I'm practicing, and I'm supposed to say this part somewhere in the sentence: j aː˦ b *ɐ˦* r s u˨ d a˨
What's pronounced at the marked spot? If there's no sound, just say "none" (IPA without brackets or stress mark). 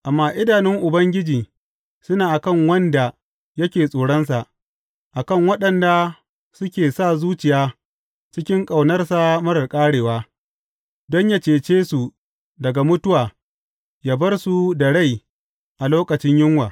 ɐ˦